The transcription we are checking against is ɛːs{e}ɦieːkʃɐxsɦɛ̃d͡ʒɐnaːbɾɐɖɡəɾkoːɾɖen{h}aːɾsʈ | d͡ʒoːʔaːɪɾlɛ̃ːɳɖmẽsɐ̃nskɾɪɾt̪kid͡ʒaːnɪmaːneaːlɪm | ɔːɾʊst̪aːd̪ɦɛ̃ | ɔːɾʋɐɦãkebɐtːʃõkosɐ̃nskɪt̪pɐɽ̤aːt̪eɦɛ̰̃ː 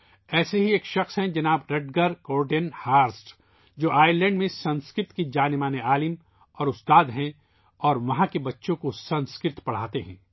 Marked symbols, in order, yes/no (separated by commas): yes, yes